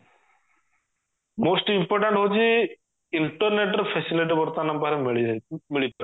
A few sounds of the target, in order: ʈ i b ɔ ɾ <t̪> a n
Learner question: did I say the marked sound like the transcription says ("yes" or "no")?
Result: yes